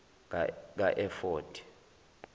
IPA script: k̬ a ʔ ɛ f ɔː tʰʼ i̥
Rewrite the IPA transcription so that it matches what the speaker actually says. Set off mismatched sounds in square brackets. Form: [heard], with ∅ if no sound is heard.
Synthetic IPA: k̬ a ʔ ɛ f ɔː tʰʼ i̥